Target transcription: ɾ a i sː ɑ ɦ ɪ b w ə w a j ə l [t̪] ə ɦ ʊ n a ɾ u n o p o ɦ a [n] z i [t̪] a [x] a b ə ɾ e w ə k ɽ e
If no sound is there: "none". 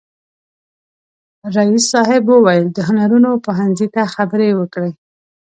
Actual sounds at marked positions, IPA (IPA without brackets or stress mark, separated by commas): d̪, n, t̪, x